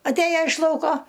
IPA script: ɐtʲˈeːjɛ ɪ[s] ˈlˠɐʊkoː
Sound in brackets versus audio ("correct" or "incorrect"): incorrect